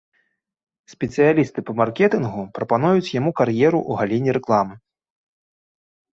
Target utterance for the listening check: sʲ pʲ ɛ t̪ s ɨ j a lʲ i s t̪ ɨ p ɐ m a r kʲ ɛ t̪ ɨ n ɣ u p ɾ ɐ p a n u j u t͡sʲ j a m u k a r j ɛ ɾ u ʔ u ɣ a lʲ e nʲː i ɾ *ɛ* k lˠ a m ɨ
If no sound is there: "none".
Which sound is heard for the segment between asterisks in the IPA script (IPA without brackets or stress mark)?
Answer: ɛ